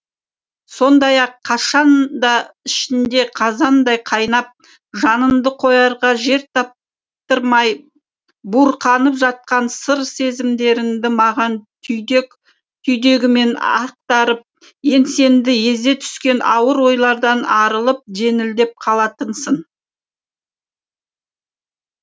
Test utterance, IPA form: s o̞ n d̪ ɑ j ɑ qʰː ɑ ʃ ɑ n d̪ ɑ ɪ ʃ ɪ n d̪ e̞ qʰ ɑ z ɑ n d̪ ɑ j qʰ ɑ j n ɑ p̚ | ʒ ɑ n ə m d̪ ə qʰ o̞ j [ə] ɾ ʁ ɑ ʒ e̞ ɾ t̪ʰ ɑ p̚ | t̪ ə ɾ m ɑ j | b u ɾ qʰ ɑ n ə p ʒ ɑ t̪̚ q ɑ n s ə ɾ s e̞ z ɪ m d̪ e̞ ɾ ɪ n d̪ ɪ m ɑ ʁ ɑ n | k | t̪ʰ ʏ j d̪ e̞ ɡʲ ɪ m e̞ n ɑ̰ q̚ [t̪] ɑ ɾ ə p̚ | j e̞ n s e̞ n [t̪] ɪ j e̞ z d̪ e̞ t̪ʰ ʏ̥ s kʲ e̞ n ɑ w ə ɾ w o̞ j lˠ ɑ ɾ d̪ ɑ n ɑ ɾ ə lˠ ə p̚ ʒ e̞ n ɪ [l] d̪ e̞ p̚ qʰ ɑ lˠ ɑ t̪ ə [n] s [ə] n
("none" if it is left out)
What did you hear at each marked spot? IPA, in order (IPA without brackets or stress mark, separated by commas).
ɑ, t̪, d̪, l, n, ə